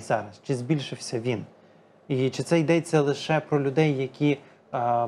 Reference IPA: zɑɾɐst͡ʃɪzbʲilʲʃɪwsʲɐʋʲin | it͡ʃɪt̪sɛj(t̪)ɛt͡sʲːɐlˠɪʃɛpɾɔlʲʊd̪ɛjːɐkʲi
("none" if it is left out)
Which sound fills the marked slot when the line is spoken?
d̪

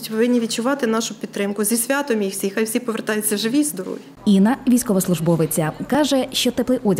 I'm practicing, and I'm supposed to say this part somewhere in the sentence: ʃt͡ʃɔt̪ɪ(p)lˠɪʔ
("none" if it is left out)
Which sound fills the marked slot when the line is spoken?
p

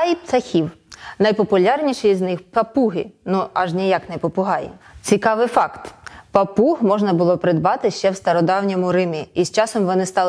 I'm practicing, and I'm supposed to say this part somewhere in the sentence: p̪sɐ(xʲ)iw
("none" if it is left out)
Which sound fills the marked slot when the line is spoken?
xʲ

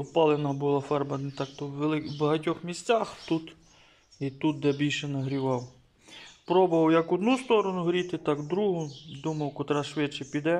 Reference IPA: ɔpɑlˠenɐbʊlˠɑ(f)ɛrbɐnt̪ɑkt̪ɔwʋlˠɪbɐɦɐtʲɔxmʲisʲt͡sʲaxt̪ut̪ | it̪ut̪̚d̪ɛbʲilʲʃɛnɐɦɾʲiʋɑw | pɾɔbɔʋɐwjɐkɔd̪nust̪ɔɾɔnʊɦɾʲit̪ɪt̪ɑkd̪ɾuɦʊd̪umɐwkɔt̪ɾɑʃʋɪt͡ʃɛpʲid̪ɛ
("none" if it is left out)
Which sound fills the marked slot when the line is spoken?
f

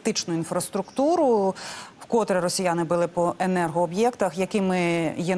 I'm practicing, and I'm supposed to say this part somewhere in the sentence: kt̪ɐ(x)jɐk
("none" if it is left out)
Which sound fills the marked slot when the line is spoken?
x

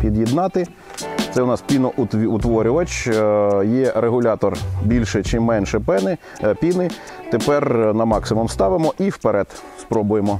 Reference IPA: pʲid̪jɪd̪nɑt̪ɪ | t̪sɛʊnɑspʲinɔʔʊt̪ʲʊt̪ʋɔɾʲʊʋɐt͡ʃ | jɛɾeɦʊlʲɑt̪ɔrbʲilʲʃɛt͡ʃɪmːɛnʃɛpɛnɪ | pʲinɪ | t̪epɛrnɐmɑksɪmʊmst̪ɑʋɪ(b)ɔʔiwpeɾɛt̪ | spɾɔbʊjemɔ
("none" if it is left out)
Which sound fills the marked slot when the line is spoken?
m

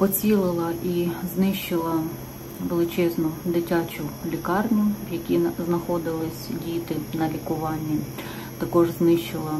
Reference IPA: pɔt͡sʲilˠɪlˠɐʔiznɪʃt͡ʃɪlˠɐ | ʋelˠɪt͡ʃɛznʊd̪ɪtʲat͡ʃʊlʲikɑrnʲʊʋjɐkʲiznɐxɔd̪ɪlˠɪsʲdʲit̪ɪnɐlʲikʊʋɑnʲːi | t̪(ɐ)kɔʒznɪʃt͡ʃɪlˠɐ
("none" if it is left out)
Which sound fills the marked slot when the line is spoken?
ɐ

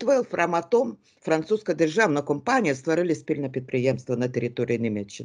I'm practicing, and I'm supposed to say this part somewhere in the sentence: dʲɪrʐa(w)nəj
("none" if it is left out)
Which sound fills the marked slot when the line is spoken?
v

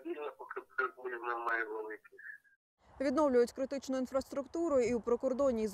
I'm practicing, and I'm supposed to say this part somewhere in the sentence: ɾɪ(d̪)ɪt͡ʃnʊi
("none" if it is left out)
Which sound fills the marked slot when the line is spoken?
t̪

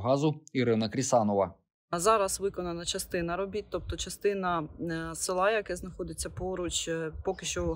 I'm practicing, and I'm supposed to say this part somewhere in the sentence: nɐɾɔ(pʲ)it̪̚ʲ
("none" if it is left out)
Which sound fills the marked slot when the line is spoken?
bʲ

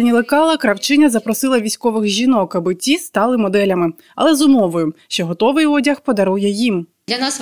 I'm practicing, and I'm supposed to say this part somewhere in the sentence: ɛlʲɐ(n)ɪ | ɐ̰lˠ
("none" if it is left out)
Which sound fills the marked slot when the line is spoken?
m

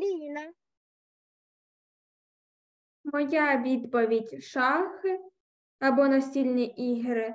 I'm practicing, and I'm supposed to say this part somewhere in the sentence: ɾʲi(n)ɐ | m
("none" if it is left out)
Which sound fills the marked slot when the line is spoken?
n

